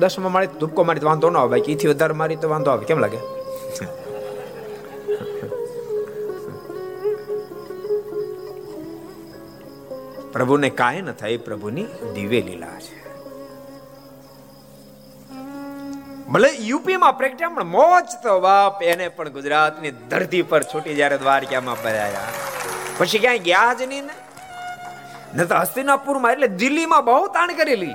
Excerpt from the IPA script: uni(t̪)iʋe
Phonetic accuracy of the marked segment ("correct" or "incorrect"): incorrect